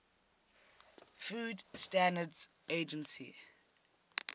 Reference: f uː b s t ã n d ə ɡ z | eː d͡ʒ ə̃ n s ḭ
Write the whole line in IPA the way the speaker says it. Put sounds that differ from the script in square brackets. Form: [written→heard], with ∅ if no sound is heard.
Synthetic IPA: f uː [b→d] s t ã n d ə [ɡ→d] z | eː d͡ʒ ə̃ n s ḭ

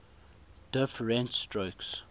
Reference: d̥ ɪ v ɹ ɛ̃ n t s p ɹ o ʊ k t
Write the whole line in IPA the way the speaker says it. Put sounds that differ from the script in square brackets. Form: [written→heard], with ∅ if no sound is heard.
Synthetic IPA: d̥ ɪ [v→f] ɹ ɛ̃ n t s [p→t] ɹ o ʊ k [t→s]

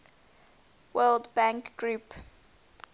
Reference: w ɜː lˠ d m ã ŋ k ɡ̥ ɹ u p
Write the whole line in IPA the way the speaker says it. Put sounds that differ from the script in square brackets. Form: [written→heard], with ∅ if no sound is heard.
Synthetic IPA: w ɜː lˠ d [m→b] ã ŋ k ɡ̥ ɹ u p

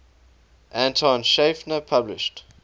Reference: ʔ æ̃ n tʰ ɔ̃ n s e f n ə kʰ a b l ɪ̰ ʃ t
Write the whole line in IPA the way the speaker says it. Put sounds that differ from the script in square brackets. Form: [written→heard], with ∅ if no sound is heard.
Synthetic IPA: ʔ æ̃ n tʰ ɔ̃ n [s→ʃ] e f n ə [kʰ→pʰ] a b l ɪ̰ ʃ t

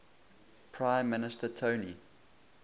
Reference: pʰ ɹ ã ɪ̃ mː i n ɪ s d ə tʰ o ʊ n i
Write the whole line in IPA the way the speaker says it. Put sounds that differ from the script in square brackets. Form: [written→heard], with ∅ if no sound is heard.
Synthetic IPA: pʰ ɹ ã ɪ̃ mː [i→ɪ] n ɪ s [d→t] ə tʰ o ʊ n i

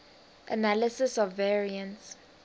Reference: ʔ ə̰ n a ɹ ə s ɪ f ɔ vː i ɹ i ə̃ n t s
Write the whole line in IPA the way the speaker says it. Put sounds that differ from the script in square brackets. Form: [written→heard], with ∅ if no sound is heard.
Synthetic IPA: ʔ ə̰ n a [ɹ→l] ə s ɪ [f→s] ɔ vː [i→ɛ] ɹ i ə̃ n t s

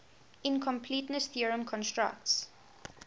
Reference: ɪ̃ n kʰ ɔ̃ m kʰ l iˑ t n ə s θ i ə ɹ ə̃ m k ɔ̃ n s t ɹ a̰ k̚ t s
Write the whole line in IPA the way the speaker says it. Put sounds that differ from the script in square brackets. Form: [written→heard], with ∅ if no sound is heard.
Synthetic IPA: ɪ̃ n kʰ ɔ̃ m [kʰ→pʰ] l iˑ t n ə s θ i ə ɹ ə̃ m [k→kʰ] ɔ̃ n s t ɹ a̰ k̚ t s

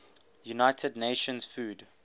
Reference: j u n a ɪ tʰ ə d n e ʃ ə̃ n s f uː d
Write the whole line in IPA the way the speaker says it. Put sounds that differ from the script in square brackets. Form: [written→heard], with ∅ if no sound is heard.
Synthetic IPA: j u n a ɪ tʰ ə d n e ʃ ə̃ n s f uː d

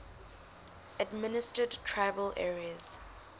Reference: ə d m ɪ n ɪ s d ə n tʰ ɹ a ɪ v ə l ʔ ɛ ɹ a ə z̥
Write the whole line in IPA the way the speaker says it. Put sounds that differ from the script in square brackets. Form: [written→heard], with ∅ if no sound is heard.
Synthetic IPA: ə d m ɪ n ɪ s [d→t] ə [n→d] tʰ ɹ a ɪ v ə l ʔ ɛ ɹ [a→i] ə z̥

